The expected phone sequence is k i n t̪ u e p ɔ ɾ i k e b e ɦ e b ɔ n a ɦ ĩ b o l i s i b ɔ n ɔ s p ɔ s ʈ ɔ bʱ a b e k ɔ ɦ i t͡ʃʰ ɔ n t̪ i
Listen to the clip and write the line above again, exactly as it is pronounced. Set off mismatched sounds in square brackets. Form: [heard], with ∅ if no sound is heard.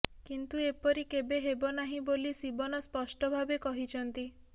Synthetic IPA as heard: k i n t̪ u e p ɔ ɾ i k e b e ɦ e b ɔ n a ɦ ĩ b o l i s i b ɔ n ɔ s p ɔ s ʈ ɔ bʱ a b e k ɔ ɦ i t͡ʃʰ ɔ n t̪ i